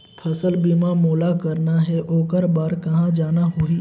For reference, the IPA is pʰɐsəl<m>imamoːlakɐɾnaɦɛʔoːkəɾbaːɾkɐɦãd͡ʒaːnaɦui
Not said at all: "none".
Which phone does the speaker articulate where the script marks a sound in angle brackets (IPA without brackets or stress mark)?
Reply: b